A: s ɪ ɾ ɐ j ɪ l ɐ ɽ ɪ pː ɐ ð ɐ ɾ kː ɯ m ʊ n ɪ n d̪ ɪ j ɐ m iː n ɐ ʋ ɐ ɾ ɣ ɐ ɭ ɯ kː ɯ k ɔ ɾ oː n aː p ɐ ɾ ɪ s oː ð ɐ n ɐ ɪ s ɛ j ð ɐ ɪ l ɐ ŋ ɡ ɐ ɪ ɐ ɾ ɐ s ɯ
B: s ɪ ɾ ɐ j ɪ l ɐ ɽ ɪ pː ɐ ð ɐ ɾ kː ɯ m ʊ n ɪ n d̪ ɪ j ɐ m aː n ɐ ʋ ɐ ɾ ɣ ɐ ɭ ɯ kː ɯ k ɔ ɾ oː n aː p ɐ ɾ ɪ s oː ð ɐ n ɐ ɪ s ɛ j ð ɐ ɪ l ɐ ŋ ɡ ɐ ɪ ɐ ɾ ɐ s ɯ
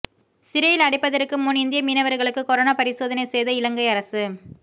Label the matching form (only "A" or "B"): A